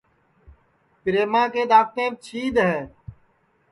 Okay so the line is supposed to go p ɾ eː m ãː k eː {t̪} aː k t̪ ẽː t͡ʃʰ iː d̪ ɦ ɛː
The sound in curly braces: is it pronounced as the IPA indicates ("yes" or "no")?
no